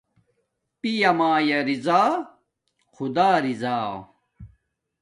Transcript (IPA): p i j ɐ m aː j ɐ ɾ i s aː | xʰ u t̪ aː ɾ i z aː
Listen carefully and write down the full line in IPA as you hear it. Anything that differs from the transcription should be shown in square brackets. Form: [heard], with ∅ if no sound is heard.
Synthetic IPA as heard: p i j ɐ m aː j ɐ ɾ i [z] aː | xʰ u [d̪] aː ɾ i z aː